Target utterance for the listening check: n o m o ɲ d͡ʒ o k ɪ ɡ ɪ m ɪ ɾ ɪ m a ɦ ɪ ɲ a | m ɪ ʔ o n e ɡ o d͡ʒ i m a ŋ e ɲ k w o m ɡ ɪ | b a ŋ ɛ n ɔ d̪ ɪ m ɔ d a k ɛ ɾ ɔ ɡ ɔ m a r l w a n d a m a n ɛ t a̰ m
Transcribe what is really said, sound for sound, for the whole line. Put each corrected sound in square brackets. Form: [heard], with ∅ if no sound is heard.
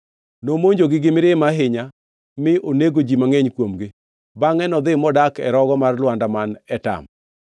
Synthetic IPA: n o m o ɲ d͡ʒ o [ɡ] ɪ ɡ ɪ m ɪ ɾ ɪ m a ɦ ɪ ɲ a | m ɪ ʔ o n e ɡ o d͡ʒ i m a ŋ e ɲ k w o m ɡ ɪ | b a ŋ ɛ n ɔ d̪ ɪ m ɔ d a k ɛ ɾ ɔ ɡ ɔ m a r l w a n d a m a n ɛ t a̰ m